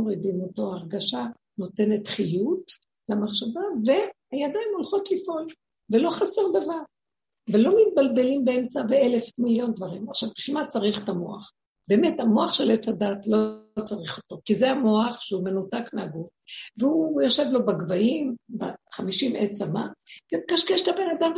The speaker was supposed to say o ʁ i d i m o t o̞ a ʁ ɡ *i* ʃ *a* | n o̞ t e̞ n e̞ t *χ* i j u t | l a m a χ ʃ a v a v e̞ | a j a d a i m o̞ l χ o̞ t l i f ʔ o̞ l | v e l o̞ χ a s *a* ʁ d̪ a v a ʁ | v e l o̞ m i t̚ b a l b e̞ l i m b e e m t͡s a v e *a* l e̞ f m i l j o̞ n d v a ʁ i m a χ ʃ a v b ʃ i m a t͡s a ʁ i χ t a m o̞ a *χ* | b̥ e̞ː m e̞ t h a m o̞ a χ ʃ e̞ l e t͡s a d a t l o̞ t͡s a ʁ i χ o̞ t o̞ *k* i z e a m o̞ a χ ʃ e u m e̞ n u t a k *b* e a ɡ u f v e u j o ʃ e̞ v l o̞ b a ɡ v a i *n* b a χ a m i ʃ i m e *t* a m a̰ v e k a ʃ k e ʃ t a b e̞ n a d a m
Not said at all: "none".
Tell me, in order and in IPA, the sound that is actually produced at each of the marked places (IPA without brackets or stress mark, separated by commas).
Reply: a, a, χ, e, e, χ, k, m, m, t͡s